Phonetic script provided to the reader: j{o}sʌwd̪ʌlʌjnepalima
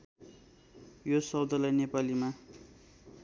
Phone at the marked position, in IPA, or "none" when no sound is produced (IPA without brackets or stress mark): o